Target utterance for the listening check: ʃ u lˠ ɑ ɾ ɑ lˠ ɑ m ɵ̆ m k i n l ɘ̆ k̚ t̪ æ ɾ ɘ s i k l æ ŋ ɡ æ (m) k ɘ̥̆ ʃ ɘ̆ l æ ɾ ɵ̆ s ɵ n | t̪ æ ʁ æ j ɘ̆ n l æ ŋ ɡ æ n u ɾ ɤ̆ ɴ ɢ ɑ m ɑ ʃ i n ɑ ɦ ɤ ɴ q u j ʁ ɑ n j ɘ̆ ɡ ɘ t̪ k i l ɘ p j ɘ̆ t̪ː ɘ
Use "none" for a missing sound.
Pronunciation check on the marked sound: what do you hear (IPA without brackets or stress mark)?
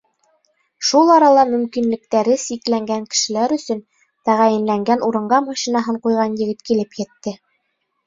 ŋ